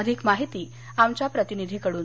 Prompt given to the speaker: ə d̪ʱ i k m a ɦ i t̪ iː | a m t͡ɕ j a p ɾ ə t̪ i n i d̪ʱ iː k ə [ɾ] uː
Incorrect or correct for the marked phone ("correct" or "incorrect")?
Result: incorrect